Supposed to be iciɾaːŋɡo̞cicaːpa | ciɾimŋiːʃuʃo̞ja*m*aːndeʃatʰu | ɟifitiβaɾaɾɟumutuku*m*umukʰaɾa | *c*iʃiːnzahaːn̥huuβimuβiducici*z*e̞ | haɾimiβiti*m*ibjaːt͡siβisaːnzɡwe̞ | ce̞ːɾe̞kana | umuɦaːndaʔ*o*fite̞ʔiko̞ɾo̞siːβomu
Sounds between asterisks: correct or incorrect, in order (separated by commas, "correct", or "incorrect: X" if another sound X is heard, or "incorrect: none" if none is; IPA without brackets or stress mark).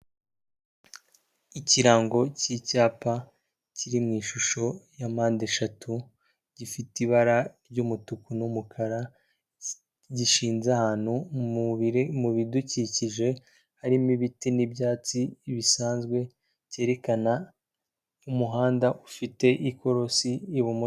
correct, incorrect: n, incorrect: ɟ, incorrect: ʒ, incorrect: n, incorrect: u